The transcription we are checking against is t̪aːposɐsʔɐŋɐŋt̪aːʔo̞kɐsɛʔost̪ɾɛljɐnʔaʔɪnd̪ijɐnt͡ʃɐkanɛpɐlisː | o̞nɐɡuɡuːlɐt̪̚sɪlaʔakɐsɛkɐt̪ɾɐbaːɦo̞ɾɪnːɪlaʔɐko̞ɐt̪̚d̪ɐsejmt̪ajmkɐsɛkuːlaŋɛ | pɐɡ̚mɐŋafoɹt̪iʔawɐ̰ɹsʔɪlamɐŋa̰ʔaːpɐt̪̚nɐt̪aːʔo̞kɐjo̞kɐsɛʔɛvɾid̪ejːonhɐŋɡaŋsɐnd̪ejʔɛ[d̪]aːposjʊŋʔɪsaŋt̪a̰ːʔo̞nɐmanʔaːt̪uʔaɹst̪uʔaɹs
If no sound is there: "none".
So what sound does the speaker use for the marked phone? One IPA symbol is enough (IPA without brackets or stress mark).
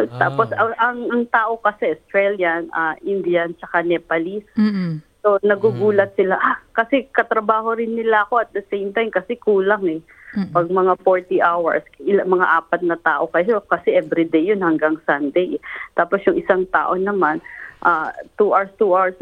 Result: t̪